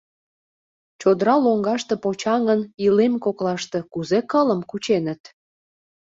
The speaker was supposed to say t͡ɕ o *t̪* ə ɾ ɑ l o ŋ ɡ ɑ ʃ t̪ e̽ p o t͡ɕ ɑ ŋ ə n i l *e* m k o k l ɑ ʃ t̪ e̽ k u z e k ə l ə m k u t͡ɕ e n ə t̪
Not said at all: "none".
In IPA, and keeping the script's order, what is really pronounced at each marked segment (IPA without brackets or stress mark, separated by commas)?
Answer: d̪, e